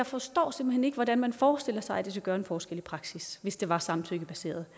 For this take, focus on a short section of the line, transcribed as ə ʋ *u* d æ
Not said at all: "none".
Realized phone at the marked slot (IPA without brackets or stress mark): ɒ